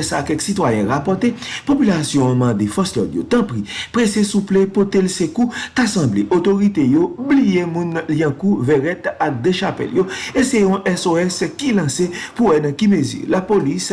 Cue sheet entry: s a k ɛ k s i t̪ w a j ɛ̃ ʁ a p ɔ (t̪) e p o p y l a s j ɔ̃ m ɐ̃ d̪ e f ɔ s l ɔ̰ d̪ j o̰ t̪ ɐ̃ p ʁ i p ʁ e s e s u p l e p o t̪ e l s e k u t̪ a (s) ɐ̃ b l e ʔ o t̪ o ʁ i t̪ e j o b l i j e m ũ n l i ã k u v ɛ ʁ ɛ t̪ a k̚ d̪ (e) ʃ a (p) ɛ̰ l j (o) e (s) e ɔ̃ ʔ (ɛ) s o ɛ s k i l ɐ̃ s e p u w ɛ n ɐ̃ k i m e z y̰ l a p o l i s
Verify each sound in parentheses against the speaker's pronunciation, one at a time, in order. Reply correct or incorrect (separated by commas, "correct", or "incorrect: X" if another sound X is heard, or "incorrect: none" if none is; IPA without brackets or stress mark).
correct, correct, correct, correct, correct, correct, correct